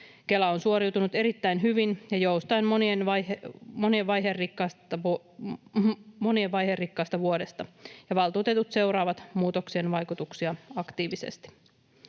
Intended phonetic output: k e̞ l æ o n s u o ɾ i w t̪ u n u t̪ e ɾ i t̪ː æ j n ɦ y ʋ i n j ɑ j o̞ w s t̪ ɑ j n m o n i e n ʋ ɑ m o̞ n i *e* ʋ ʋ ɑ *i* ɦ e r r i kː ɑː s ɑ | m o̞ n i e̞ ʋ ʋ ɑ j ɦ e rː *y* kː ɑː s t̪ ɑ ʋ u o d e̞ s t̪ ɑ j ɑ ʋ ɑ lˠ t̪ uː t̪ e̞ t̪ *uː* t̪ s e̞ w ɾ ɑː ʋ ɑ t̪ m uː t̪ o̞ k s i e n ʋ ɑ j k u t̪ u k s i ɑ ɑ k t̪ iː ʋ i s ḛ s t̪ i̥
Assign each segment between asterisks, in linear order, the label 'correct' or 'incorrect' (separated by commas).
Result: correct, incorrect, incorrect, incorrect